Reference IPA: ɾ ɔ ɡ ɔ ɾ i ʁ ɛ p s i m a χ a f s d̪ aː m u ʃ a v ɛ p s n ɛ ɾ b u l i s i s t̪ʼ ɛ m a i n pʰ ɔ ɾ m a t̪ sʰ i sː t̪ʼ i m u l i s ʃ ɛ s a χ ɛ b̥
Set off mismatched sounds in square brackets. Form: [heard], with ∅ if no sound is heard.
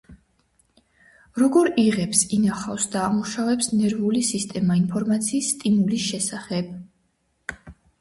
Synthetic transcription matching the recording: ɾ ɔ ɡ ɔ ɾ i ʁ ɛ p s i [n] a χ a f s d̪ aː m u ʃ a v ɛ p s n ɛ ɾ [v] u l i s i s t̪ʼ ɛ m a i n pʰ ɔ ɾ m a t̪ sʰ [iː] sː t̪ʼ i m u l i s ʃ ɛ s a χ ɛ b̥